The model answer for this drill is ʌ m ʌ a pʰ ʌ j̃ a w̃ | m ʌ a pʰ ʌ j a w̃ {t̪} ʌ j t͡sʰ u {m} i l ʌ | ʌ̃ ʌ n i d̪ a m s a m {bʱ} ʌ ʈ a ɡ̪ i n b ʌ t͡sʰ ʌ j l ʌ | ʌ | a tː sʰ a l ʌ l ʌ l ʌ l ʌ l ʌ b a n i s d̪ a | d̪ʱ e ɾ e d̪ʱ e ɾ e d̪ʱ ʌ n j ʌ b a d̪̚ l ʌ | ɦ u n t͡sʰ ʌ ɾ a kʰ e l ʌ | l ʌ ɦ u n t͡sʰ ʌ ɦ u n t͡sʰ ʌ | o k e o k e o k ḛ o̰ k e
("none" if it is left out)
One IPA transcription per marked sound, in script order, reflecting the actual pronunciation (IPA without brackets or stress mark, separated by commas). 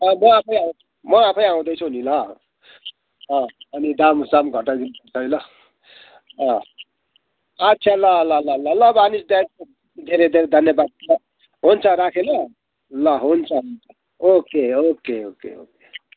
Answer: d̪, n, ɡʱ